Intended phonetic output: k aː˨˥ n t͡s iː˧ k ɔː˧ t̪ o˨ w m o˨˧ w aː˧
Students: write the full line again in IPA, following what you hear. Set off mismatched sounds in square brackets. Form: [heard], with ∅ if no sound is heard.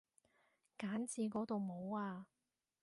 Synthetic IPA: k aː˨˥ n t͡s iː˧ k [ɔː˨˥] t̪ o˨ w m o˨˧ w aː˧